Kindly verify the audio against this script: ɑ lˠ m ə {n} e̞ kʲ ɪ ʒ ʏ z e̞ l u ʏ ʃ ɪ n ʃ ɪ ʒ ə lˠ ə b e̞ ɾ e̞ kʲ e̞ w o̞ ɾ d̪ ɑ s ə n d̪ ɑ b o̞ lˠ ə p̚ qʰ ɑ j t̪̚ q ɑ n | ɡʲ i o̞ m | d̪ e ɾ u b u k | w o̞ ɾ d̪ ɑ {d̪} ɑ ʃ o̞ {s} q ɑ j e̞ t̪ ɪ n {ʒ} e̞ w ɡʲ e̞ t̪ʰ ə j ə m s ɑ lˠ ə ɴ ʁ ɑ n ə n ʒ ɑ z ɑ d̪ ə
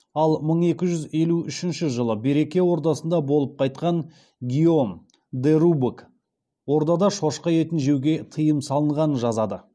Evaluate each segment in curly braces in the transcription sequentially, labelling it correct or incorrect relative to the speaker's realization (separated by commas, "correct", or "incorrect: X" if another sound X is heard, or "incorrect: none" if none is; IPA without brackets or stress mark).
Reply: incorrect: ɴ, correct, incorrect: ʃ, correct